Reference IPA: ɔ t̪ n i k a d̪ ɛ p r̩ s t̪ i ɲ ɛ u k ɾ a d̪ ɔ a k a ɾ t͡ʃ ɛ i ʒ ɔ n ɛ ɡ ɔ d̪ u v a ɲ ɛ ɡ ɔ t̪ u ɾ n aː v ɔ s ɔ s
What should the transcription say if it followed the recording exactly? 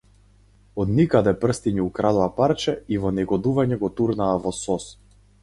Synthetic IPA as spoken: ɔ d̪ n i k a d̪ ɛ p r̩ s t̪ i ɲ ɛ u k ɾ a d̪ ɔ a p a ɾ t͡ʃ ɛ i v ɔ n ɛ ɡ ɔ d̪ u v a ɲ ɛ ɡ ɔ t̪ u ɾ n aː v ɔ s ɔ s